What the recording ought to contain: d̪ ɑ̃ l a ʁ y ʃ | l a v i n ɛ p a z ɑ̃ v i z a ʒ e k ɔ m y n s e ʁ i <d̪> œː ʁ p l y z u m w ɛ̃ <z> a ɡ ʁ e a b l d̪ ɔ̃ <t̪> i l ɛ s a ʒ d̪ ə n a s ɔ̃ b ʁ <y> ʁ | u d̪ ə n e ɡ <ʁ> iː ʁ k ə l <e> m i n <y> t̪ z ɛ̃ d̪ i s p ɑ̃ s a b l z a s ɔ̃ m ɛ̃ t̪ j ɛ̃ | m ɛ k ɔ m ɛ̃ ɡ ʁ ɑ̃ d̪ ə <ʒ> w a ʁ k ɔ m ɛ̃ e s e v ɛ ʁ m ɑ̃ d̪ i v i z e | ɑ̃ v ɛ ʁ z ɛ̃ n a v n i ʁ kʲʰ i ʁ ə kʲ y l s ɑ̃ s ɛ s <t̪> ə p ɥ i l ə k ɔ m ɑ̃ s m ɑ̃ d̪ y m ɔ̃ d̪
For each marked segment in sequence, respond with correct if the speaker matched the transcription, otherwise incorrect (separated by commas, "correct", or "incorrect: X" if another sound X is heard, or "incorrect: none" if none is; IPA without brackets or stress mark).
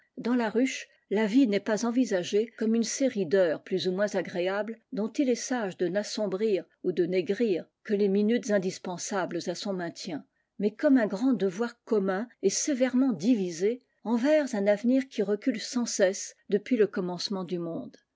correct, correct, correct, incorrect: i, correct, correct, correct, incorrect: v, incorrect: d̪